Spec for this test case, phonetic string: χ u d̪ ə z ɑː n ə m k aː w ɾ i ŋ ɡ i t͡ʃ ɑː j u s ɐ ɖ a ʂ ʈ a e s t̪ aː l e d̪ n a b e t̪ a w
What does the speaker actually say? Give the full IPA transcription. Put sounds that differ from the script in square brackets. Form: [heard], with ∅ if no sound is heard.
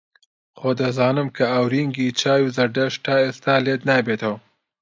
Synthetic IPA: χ [o] d̪ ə z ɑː n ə m k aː w ɾ i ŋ ɡ i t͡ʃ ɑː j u [z] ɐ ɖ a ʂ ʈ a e s t̪ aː l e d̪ n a b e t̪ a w